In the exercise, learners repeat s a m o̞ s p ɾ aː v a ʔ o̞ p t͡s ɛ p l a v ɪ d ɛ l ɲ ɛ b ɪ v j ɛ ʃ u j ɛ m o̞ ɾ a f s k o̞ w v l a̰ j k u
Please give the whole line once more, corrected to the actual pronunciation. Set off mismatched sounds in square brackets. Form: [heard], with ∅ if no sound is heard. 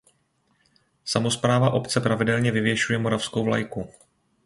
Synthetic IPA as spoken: s a m o̞ s p ɾ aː v a ʔ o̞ p t͡s ɛ p [ɾ] a v ɪ d ɛ l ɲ ɛ [v] ɪ v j ɛ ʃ u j ɛ m o̞ ɾ a f s k o̞ w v l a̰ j k u